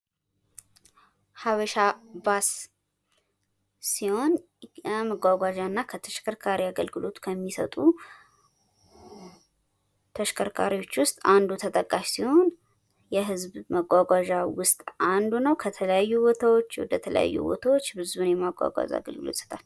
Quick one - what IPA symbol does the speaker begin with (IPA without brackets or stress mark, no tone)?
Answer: h